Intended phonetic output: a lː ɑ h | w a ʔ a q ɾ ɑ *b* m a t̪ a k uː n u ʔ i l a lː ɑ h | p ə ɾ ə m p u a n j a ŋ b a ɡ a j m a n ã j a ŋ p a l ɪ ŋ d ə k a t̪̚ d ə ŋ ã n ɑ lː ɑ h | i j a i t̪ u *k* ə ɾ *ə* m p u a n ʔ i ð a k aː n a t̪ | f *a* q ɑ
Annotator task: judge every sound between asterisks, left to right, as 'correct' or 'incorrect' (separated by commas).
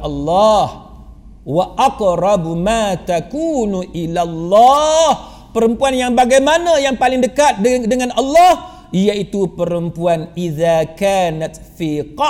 correct, incorrect, correct, incorrect